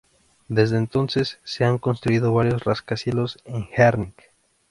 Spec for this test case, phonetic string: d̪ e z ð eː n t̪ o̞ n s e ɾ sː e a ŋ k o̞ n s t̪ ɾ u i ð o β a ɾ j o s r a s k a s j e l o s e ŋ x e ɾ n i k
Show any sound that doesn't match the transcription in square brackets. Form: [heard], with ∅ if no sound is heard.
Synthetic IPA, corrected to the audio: d̪ e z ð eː n t̪ o̞ n s e [∅] sː e a ŋ k o̞ n s t̪ ɾ u i ð o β a ɾ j o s r a s k a s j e l o s e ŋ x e ɾ n i k